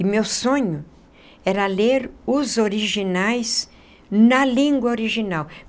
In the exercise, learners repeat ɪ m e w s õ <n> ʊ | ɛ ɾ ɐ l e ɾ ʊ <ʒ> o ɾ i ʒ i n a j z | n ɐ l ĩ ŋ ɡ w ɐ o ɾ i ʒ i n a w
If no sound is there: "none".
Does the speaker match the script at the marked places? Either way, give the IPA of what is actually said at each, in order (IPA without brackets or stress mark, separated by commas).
ɲ, z